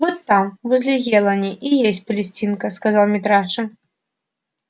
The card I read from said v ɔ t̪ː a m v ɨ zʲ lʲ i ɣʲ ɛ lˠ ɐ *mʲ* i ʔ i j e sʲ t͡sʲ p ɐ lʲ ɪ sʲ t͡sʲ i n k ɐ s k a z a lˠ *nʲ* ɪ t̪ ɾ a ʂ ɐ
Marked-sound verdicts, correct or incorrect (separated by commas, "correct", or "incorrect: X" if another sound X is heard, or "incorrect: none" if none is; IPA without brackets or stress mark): incorrect: nʲ, incorrect: mʲ